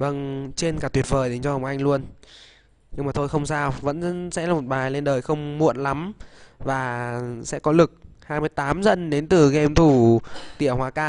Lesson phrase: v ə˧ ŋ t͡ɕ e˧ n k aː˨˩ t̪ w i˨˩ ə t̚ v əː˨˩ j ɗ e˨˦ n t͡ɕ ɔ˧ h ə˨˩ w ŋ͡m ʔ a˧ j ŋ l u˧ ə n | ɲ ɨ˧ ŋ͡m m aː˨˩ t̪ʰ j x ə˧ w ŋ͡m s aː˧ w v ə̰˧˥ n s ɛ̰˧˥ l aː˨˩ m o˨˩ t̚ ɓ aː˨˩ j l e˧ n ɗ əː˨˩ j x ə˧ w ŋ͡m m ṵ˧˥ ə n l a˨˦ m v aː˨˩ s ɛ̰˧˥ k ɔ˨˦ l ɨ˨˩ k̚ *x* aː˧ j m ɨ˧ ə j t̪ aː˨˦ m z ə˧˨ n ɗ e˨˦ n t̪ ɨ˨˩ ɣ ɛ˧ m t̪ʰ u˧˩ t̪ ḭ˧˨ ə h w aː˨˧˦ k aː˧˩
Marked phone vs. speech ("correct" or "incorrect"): incorrect